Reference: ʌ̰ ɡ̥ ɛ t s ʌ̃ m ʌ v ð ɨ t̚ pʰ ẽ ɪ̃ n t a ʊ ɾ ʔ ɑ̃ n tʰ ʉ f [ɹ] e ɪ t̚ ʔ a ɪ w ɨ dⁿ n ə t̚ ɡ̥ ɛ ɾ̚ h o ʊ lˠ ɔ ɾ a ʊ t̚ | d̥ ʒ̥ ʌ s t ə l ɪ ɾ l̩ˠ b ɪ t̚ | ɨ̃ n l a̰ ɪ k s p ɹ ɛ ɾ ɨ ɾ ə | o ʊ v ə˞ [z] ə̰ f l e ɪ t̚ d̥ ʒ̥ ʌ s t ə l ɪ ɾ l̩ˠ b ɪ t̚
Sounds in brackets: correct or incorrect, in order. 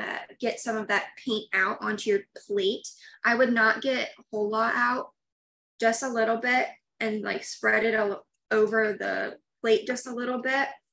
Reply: incorrect: l, incorrect: ð

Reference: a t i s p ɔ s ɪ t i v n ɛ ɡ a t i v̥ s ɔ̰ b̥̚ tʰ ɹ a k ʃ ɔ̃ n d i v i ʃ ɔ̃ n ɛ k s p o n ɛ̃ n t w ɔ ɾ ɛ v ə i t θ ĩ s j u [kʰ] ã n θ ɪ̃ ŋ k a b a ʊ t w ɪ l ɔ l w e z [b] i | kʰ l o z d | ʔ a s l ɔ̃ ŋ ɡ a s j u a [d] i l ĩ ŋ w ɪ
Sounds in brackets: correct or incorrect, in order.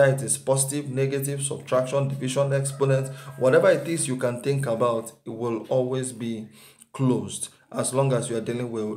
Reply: incorrect: k, correct, correct

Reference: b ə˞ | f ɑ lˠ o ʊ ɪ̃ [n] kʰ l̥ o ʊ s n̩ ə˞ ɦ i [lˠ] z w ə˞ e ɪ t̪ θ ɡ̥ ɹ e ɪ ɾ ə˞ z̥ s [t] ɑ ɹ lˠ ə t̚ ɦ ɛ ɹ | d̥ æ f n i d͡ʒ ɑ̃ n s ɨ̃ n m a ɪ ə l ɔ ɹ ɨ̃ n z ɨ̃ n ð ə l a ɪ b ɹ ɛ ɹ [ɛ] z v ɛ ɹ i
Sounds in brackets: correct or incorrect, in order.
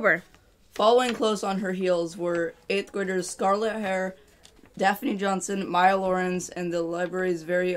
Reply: incorrect: ŋ, correct, incorrect: k, incorrect: i

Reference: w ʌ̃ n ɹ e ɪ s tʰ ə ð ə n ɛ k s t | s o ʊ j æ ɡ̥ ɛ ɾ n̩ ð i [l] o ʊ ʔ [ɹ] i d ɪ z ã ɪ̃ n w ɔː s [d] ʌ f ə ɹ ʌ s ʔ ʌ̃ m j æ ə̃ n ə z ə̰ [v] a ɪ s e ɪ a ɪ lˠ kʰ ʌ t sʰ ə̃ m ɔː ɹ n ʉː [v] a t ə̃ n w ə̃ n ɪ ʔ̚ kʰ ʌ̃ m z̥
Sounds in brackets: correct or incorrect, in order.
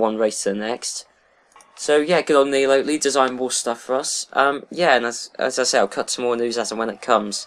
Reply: correct, incorrect: l, incorrect: t, incorrect: z, incorrect: z

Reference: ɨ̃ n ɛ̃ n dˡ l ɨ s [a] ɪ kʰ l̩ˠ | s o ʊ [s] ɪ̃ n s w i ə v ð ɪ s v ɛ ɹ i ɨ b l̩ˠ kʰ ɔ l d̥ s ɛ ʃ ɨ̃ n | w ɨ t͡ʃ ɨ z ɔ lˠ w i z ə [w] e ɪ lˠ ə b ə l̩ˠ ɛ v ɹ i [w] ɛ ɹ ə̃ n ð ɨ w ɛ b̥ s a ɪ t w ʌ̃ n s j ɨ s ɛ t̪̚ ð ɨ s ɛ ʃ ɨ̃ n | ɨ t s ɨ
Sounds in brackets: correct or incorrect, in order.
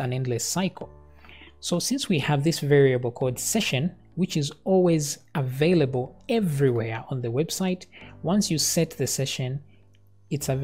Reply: correct, correct, incorrect: v, correct

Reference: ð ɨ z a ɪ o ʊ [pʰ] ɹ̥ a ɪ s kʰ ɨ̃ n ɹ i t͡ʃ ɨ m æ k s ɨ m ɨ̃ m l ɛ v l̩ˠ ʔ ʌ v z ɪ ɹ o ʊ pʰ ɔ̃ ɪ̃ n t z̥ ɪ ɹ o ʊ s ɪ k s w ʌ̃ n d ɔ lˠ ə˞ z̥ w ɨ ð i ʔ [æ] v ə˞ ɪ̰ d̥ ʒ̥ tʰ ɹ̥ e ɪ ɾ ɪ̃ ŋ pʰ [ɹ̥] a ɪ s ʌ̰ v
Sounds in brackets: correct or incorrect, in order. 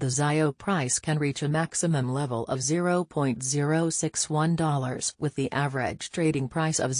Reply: correct, correct, correct

